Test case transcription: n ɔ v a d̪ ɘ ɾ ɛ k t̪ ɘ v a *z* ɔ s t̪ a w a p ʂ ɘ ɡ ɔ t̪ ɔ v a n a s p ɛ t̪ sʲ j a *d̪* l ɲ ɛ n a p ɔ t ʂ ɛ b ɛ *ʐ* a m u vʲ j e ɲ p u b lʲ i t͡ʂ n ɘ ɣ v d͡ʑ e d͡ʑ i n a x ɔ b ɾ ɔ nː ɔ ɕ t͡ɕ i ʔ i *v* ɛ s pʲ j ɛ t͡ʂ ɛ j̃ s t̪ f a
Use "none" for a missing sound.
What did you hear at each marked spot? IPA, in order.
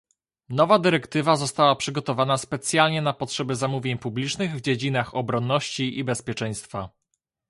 z, none, z, b

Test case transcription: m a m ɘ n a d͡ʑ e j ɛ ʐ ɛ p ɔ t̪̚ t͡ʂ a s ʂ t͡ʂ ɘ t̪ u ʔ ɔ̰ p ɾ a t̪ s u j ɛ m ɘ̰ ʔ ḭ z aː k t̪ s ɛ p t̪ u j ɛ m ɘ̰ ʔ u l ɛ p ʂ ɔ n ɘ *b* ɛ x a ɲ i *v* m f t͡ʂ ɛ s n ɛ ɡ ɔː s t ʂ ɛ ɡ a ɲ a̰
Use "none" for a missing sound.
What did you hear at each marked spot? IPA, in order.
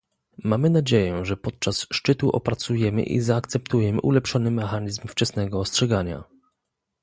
m, z

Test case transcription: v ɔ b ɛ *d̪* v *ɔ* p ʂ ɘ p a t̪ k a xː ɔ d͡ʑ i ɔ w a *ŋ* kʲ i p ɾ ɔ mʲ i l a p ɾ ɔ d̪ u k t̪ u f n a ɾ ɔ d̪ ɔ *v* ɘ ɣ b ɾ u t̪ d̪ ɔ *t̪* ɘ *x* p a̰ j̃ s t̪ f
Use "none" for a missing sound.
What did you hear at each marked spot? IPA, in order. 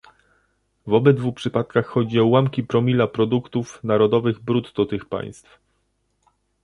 d̪, u, m, v, t̪, x

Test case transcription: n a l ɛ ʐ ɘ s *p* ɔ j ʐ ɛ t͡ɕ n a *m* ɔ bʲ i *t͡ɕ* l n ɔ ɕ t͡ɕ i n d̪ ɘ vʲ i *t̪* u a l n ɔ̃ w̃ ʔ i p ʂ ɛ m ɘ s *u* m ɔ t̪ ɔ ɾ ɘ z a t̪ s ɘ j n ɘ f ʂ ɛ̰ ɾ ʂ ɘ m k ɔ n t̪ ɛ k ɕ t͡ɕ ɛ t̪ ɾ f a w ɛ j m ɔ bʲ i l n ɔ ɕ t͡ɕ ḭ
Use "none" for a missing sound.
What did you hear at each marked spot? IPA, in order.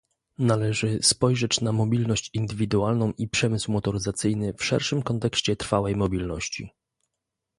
p, m, none, d̪, w

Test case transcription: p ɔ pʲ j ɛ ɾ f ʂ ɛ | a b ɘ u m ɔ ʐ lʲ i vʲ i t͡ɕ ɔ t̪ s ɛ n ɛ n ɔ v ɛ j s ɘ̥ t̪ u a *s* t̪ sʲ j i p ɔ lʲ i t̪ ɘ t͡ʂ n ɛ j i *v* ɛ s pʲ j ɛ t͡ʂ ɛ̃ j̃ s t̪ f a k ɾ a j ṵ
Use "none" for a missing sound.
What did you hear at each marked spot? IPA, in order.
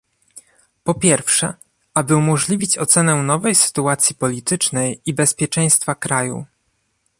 none, b

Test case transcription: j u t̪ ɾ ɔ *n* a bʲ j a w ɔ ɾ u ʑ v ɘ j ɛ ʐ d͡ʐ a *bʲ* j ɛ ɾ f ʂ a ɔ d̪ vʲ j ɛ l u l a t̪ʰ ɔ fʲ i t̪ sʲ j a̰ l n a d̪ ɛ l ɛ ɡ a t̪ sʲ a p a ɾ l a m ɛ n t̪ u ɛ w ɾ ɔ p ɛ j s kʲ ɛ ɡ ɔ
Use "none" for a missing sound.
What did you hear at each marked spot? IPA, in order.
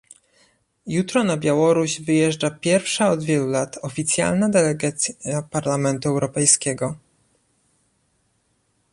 n, pʲ

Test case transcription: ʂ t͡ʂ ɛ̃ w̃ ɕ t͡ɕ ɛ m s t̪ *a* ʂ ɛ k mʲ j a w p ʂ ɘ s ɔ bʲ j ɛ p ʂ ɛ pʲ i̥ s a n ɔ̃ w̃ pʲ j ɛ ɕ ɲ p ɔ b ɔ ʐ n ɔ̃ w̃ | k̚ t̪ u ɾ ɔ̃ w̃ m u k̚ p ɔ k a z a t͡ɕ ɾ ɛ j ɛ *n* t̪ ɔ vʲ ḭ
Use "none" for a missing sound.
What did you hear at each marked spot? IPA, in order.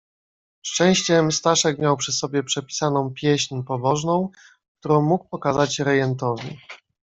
a, n

